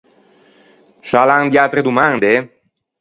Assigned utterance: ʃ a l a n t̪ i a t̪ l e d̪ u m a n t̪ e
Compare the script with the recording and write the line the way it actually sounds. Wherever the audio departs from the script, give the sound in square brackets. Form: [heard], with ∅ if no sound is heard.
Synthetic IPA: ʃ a l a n [d̪] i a t̪ [ɾ] e d̪ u m a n [d̪] e